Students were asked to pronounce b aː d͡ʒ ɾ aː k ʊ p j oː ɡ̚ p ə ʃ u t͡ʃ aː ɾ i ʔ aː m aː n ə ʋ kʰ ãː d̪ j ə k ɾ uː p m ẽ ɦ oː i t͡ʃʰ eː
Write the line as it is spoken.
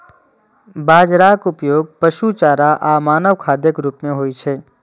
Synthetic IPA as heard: b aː d͡ʒ ɾ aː k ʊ p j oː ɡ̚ p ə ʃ u t͡ʃ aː ɾ a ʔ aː m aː n ə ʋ kʰ aː d̪ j ə k ɾ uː p m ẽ ɦ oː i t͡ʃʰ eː

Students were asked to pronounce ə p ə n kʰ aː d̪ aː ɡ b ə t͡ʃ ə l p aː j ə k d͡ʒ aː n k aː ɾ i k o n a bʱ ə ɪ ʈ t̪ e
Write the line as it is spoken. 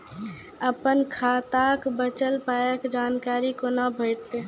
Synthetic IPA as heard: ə p ə n kʰ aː t̪ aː k b ə t͡ʃ ə l p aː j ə k d͡ʒ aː n k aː ɾ i k o n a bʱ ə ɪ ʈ t̪ e

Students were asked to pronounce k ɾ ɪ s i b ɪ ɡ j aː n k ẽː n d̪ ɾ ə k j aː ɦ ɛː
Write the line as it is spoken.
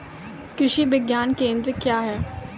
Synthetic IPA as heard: k ɾ ɪ ʃ i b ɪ ɡ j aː n k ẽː n d̪ ɾ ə k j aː ɦ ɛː

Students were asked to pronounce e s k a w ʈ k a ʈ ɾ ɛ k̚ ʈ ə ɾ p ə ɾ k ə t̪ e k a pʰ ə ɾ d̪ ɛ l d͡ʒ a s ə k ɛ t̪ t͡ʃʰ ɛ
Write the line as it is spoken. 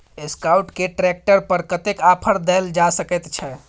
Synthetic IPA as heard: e s k a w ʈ k e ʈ ɾ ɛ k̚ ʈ ə ɾ p ə ɾ k ə t̪ e k a pʰ ə ɾ d̪ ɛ l d͡ʒ a s ə k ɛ t̪ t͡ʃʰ ɛ

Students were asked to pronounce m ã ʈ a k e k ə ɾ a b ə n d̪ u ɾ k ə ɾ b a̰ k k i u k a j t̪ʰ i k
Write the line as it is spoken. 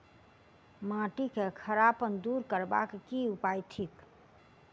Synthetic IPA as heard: m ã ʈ i k e kʰ ə ɾ a p ə n d̪ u ɾ k ə ɾ b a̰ k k i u p a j t̪ʰ i k

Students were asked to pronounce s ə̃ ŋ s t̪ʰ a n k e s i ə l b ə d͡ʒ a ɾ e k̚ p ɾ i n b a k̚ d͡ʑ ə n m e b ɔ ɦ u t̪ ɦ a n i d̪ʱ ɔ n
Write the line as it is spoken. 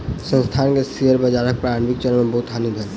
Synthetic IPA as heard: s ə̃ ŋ s t̪ʰ a n k e s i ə ɾ b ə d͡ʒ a ɾ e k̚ p ɾ a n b i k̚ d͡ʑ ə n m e b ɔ ɦ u t̪ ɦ a n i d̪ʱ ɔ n

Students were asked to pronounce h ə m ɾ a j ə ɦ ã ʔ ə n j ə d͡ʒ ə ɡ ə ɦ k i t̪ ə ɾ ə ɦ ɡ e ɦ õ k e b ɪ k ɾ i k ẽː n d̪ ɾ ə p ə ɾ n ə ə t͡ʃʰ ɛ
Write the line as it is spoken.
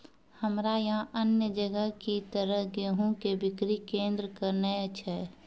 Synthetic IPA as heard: h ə m ɾ a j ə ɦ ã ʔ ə n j ə d͡ʒ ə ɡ ə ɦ k i t̪ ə ɾ ə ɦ ɡ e ɦ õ k e b ɪ k ɾ i k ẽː n d̪ ɾ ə k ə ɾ n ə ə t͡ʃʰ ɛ

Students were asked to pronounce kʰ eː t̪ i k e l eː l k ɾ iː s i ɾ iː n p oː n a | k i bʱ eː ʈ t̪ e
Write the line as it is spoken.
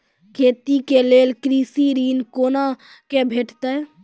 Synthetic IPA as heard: kʰ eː t̪ i k e l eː l k ɾ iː s i ɾ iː n k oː n a | k e bʱ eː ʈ t̪ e

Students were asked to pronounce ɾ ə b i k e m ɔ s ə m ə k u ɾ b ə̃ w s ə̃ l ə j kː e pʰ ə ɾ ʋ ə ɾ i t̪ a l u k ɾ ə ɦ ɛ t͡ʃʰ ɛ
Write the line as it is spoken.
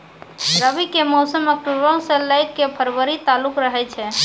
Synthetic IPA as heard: ɾ ə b i k e m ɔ s ə m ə k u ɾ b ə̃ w s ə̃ l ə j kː e pʰ ə ɾ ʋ ə ɾ i t̪ a l u k ɾ ə ɦ ɛ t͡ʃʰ ɛ

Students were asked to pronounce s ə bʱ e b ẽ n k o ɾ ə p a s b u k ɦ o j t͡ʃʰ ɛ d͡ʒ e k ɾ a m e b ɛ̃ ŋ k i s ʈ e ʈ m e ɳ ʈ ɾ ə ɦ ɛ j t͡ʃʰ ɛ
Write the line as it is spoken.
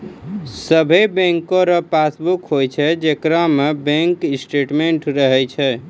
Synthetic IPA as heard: s ə bʱ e b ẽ ŋ k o ɾ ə p a s b u k ɦ o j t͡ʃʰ ɛ d͡ʒ e k ɾ a m e b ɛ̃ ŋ k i s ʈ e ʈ m e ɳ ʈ ɾ ə ɦ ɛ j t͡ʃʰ ɛ

